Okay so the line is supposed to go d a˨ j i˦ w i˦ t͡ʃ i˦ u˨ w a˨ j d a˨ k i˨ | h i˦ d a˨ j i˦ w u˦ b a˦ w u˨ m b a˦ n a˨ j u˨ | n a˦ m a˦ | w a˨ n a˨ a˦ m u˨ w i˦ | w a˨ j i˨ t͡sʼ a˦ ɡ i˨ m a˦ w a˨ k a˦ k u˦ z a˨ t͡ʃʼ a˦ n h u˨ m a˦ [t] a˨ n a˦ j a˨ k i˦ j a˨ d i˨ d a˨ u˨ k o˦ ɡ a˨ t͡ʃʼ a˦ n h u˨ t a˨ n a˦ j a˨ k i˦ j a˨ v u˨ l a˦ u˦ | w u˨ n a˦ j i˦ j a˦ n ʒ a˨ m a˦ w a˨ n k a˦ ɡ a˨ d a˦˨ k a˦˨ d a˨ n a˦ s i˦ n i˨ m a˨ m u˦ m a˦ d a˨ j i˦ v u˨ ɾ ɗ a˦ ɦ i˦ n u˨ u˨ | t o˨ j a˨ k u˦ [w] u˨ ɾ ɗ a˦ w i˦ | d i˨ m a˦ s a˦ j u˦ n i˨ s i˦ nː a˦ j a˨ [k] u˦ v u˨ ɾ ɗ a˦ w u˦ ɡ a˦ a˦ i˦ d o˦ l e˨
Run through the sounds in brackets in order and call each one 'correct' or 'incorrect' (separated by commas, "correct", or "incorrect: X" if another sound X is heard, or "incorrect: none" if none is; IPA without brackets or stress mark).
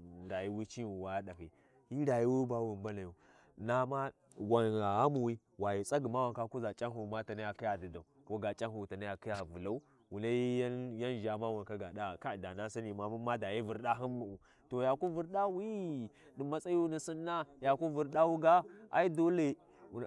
correct, incorrect: v, correct